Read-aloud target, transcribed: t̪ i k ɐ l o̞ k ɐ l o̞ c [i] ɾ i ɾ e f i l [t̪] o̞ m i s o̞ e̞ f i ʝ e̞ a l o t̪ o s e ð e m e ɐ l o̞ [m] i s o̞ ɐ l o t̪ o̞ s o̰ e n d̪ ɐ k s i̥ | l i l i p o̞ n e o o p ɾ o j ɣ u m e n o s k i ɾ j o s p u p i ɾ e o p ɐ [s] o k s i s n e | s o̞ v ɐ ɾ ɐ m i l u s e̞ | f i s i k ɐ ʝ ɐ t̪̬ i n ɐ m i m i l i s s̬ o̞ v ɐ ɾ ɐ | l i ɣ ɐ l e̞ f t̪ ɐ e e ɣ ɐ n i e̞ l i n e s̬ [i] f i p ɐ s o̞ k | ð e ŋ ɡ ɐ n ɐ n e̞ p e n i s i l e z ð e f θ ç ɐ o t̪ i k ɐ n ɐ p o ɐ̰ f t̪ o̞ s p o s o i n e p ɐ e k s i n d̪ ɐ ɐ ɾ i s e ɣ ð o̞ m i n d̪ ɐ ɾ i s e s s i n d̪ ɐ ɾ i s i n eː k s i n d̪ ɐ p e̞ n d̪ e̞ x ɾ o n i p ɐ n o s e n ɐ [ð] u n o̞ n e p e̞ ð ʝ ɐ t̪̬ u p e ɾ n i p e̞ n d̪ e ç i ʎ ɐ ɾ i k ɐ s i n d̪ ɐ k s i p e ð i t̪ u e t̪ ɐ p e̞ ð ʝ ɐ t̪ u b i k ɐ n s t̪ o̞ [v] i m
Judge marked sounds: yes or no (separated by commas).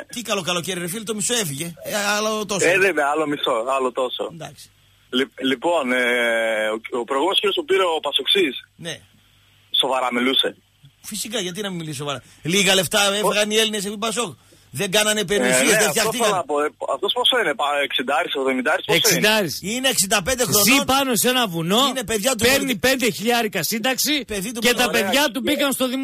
no, yes, yes, yes, no, no, no